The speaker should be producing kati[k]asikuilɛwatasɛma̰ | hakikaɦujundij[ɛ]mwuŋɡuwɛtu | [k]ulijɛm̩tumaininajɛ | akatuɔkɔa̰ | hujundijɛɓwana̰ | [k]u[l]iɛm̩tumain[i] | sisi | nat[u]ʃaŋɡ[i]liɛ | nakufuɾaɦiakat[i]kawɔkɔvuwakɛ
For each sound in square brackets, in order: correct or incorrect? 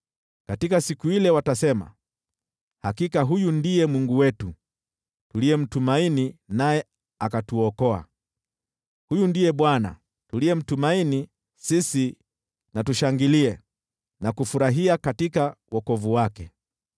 correct, correct, incorrect, incorrect, correct, correct, correct, correct, correct

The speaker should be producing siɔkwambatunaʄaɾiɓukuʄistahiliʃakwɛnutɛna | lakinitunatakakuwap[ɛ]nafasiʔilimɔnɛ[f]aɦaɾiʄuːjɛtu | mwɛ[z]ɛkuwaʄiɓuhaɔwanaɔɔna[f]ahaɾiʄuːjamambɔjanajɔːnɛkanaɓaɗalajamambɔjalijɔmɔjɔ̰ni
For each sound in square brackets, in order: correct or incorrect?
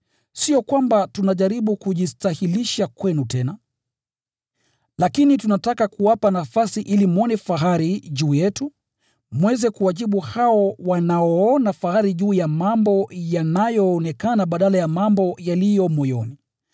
incorrect, correct, correct, correct

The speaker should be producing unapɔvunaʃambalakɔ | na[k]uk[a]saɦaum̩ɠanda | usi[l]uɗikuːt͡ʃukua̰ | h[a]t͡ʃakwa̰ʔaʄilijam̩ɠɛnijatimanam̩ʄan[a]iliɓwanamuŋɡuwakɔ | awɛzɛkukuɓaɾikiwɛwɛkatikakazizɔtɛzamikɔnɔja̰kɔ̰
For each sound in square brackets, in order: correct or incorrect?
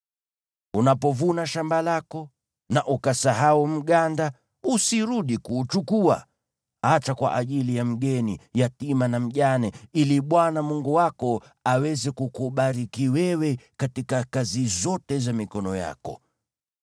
incorrect, correct, incorrect, correct, incorrect

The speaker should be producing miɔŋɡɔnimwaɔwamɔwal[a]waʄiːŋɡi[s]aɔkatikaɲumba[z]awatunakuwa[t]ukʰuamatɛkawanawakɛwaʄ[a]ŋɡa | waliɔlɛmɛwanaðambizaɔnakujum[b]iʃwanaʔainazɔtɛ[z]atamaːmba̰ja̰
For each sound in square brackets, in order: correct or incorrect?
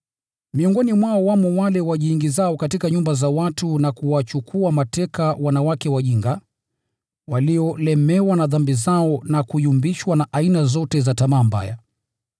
incorrect, incorrect, correct, incorrect, incorrect, correct, correct

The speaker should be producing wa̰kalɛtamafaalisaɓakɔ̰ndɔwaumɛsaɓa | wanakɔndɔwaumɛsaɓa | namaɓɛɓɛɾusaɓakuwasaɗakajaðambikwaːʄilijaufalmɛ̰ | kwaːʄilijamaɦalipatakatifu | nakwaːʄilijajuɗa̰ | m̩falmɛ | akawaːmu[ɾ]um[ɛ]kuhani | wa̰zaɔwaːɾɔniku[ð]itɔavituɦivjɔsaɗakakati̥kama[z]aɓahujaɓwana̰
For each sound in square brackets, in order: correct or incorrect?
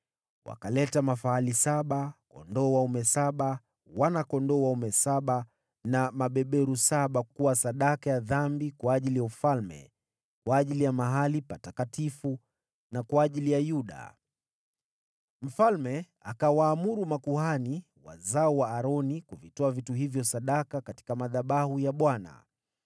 correct, incorrect, incorrect, incorrect

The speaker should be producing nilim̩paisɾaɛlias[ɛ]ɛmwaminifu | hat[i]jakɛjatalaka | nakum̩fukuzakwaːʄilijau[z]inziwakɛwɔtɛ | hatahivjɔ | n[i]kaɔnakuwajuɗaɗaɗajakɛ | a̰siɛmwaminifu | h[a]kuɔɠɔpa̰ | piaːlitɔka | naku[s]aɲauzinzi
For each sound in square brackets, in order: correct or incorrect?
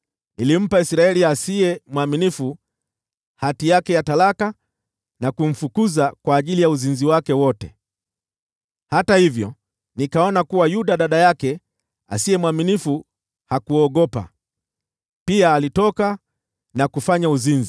incorrect, correct, correct, correct, correct, incorrect

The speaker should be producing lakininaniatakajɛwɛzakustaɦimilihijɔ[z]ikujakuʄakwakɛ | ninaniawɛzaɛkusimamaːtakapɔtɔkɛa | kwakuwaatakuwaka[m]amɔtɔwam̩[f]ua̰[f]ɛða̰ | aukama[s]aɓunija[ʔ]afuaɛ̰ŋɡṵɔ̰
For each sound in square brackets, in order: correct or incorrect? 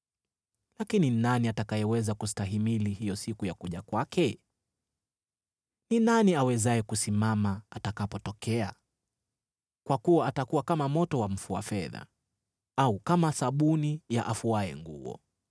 incorrect, correct, correct, correct, correct, correct

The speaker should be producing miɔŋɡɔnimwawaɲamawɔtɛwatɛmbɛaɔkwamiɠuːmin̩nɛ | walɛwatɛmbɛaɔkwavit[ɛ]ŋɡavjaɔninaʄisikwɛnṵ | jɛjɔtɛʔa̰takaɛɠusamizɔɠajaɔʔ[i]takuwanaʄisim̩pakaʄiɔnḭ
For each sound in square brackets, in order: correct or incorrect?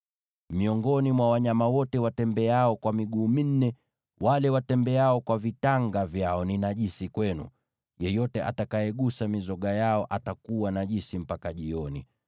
incorrect, incorrect

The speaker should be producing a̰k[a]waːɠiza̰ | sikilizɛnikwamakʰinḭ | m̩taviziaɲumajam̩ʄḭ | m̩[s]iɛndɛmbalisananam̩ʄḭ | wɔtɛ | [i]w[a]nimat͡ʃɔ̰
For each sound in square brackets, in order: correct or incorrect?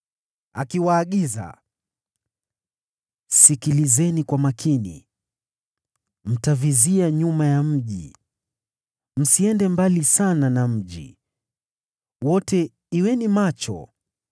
incorrect, correct, correct, incorrect

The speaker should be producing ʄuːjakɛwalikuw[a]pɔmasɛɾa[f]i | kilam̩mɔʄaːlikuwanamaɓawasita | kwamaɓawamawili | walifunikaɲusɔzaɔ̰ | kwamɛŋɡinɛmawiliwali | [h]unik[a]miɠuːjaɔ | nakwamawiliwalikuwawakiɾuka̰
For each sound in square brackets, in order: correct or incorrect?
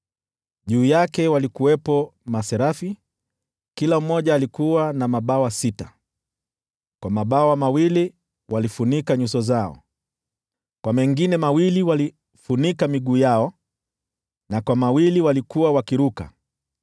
incorrect, correct, incorrect, correct

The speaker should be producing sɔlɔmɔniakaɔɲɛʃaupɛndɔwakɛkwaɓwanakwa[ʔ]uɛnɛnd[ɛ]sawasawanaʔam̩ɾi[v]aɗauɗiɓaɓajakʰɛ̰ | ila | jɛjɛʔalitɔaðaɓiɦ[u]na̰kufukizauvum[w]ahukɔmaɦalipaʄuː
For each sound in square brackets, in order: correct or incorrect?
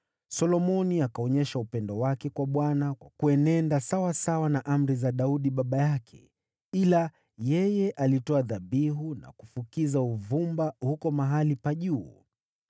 incorrect, incorrect, incorrect, correct, incorrect

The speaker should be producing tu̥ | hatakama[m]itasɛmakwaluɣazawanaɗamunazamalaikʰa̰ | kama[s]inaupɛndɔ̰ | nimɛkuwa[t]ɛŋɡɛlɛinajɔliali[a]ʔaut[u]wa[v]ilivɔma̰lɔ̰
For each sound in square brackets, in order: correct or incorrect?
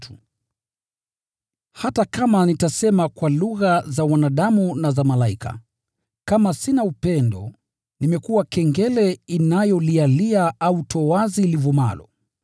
incorrect, correct, incorrect, correct, incorrect, incorrect

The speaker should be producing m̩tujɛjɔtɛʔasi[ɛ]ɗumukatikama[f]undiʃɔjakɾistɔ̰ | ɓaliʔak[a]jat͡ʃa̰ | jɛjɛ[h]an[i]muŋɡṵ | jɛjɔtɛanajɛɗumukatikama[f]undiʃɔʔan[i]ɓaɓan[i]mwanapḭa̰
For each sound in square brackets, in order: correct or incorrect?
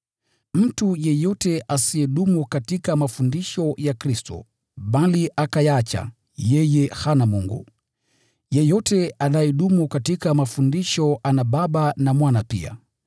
correct, correct, correct, correct, incorrect, correct, incorrect, incorrect

